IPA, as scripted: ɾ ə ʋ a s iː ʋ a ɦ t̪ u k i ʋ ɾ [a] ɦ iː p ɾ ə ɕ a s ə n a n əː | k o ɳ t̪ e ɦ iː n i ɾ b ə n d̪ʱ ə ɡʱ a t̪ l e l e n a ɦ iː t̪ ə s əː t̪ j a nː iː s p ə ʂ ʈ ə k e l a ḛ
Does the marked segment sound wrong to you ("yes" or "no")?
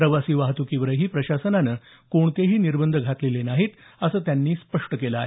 yes